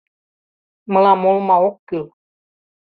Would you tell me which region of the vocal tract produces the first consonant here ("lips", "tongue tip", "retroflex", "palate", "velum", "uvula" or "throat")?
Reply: lips